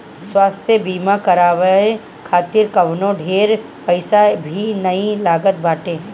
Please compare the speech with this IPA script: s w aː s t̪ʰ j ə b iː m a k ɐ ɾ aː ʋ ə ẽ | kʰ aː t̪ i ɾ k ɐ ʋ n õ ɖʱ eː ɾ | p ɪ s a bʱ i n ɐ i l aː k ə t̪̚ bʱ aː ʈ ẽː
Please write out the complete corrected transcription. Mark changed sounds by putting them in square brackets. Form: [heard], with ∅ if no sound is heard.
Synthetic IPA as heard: s w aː s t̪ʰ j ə b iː m a k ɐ ɾ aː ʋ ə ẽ | kʰ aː t̪ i ɾ k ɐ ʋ n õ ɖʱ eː ɾ | p ɪ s a bʱ i n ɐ i l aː [ɡ] ə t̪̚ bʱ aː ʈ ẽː